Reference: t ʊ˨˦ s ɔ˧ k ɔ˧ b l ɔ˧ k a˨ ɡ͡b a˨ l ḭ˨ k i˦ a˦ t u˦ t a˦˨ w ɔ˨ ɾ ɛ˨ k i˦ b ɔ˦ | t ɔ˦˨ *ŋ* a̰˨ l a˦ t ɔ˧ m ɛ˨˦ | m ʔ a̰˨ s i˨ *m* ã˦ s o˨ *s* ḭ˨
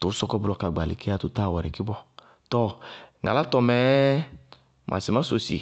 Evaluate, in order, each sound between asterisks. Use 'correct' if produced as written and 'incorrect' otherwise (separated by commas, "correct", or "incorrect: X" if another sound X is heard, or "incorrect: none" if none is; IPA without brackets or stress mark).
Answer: correct, correct, correct